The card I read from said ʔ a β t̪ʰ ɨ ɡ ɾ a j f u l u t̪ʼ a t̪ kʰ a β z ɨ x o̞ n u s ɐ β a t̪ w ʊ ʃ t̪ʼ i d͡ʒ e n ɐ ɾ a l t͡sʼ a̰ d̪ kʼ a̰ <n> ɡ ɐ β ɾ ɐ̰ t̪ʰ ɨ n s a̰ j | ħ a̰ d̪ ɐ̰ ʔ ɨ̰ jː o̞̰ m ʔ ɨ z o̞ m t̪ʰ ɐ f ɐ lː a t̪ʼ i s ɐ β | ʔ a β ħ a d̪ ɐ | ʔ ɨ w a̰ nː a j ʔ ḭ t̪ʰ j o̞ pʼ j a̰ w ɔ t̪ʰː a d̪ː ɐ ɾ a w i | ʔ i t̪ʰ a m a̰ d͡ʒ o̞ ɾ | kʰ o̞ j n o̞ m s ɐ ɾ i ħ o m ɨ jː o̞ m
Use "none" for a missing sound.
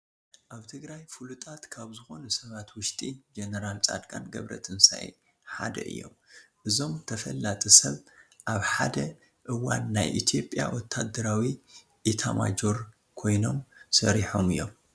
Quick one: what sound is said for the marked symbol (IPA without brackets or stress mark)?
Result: n